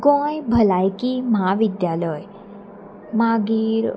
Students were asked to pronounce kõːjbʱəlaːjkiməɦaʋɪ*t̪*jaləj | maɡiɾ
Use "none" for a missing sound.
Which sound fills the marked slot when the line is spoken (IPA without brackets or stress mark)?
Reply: d̪